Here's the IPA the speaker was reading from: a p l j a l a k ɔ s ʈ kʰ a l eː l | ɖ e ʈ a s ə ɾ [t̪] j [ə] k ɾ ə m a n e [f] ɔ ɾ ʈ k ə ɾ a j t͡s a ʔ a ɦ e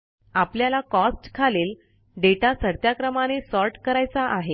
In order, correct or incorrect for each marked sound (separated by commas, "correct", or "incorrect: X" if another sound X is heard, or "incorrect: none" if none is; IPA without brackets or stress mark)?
correct, incorrect: a, incorrect: s